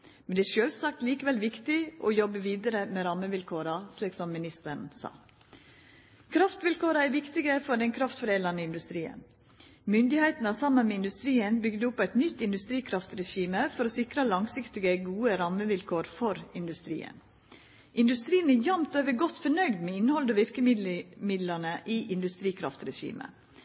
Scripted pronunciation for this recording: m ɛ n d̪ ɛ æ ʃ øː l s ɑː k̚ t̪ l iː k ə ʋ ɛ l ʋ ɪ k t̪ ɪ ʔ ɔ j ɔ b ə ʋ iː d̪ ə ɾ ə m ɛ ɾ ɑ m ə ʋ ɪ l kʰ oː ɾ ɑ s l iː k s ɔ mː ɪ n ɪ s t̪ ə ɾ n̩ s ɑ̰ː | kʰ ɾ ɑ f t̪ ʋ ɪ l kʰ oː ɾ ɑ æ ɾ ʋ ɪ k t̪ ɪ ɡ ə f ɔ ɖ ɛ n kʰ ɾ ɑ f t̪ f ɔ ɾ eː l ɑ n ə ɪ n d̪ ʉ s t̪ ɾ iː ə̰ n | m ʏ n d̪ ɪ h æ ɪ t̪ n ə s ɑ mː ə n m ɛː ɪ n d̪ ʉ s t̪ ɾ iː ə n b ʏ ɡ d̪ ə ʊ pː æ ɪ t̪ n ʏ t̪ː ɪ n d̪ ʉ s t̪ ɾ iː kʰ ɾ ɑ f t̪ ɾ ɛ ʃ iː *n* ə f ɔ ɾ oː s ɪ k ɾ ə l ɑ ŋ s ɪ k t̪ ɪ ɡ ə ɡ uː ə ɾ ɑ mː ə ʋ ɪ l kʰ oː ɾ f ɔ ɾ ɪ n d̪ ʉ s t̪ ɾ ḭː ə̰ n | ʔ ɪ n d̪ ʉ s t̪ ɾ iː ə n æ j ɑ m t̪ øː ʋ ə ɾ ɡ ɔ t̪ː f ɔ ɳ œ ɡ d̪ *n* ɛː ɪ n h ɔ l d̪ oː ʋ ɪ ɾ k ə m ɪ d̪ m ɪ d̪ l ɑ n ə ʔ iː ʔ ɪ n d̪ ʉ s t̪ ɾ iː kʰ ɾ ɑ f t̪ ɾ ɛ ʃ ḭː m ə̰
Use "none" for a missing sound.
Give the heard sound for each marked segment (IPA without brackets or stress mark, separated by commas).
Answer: m, m